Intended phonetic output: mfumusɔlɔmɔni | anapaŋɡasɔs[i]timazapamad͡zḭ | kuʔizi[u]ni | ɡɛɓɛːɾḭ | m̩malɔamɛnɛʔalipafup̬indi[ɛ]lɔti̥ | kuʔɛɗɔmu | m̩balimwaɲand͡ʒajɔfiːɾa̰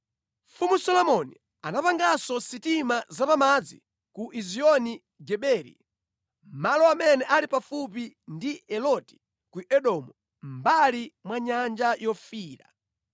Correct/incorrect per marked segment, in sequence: correct, incorrect, correct

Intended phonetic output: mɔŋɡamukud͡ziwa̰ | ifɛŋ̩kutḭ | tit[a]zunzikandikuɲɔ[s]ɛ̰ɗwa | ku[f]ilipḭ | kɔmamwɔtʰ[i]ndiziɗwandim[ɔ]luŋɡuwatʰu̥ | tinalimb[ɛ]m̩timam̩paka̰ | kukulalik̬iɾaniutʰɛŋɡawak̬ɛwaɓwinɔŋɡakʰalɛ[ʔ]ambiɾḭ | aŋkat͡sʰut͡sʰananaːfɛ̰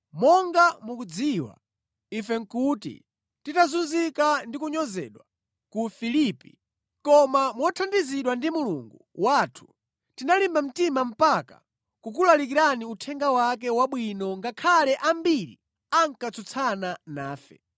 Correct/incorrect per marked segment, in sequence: correct, incorrect, correct, incorrect, incorrect, incorrect, correct

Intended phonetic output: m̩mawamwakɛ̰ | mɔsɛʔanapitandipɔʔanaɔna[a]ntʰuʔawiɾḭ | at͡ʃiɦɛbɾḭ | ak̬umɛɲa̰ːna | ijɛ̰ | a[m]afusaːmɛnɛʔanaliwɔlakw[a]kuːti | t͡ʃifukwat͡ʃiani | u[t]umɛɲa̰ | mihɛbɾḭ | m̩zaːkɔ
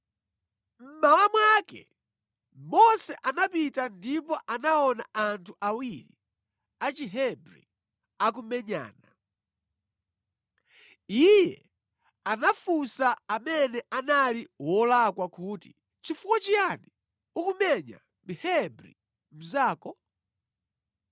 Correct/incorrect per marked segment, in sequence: correct, incorrect, correct, incorrect

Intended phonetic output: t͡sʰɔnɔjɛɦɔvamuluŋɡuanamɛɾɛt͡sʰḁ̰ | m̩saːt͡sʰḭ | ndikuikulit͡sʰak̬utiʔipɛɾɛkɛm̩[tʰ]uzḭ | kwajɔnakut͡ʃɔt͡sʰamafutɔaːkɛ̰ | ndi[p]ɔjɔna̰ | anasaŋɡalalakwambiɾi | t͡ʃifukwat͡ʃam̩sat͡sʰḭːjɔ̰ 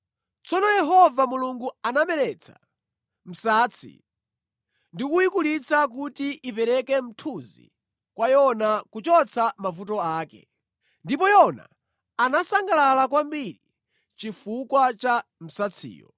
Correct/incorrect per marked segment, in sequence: correct, correct

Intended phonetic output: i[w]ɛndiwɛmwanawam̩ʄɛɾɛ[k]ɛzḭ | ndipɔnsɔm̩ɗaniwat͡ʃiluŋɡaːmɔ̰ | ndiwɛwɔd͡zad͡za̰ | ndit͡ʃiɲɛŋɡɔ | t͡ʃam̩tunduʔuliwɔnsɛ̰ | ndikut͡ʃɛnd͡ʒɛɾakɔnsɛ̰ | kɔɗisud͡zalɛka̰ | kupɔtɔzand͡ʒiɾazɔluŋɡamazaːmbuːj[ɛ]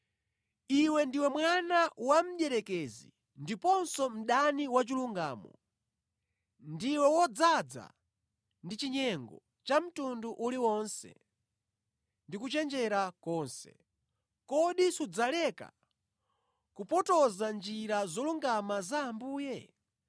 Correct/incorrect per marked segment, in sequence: correct, correct, correct

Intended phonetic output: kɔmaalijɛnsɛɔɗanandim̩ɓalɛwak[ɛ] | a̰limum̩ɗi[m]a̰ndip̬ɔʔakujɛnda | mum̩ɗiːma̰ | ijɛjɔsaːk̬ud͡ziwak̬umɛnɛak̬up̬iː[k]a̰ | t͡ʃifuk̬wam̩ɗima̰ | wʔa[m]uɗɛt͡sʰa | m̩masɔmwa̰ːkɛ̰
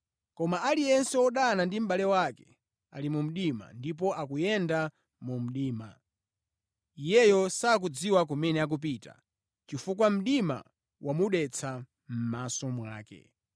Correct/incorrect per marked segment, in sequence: correct, correct, incorrect, correct

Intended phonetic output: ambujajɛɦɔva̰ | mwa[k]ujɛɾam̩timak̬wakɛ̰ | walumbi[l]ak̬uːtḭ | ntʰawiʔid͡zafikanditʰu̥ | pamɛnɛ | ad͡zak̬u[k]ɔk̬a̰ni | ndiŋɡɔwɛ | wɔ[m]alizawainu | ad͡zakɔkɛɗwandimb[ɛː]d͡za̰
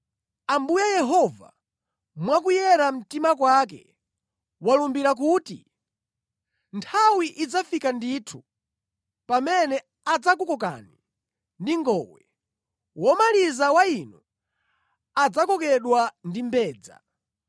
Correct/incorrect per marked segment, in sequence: correct, incorrect, correct, correct, correct

